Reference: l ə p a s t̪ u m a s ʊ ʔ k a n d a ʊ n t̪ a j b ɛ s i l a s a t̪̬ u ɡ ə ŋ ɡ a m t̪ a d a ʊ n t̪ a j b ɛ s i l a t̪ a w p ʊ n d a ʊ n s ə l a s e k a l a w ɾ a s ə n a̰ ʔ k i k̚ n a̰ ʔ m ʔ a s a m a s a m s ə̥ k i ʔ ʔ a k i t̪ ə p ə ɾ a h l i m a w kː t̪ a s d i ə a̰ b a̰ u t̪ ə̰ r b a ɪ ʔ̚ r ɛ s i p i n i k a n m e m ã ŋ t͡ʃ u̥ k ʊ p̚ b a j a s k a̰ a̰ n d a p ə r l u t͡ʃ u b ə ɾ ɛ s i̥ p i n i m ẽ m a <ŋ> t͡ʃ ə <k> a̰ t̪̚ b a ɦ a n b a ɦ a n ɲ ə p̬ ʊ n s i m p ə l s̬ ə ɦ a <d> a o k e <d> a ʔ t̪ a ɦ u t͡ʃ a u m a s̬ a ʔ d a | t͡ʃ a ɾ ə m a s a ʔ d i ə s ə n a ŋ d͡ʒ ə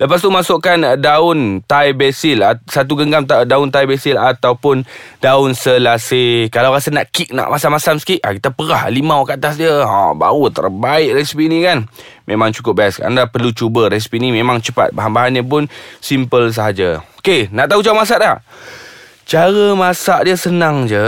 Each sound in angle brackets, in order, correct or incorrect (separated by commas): correct, incorrect, incorrect, incorrect